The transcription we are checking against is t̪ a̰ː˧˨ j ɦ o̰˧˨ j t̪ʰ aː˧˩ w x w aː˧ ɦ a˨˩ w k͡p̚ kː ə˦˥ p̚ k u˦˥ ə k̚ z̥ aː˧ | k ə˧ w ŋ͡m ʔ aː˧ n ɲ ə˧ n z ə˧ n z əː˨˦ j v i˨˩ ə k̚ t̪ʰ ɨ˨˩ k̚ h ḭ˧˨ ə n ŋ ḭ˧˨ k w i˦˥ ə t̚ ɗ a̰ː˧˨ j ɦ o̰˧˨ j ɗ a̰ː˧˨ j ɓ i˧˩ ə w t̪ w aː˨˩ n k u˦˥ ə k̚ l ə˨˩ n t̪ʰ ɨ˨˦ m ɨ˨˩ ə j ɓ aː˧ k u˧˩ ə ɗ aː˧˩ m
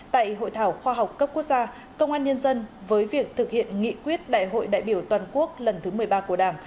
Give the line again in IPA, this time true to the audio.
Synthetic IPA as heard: t̪ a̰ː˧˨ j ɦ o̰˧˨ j t̪ʰ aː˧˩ w x w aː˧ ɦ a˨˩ w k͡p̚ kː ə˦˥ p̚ k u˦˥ ə k̚ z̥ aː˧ | k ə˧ w ŋ͡m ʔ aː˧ n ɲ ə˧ n z ə˧ n v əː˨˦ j v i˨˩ ə k̚ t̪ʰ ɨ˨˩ k̚ h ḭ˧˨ ə n ŋ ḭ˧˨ k w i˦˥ ə t̚ ɗ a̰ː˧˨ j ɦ o̰˧˨ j ɗ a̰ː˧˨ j ɓ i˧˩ ə w t̪ w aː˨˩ n k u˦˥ ə k̚ l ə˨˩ n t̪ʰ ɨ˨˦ m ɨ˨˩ ə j ɓ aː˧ k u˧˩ ə ɗ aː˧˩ m